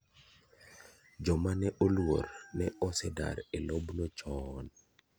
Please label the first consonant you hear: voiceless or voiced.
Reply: voiced